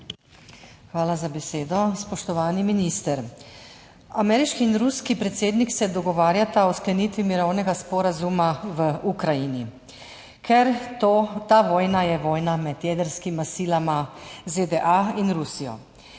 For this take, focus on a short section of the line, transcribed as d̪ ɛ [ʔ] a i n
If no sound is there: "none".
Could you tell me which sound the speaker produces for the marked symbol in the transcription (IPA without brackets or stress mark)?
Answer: ʔ